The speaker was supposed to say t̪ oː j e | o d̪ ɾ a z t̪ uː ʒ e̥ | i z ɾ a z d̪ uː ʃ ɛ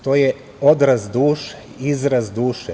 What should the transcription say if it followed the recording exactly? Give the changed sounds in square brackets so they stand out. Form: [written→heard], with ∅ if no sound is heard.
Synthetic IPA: t̪ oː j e | o d̪ ɾ a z [t̪→d̪] uː [ʒ→ʃ] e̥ | i z ɾ a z d̪ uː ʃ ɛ